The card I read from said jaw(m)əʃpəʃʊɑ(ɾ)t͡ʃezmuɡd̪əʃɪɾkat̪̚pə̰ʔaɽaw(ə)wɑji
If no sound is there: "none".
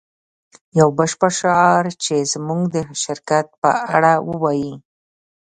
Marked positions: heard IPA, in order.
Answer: b, ɾ, ə

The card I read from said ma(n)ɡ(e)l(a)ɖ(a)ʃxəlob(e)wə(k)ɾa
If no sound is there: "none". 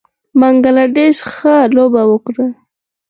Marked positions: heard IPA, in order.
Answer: ŋ, a, a, e, a, k

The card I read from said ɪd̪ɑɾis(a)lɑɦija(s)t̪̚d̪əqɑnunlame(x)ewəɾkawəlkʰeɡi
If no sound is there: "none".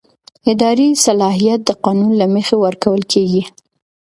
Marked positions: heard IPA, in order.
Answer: a, none, x

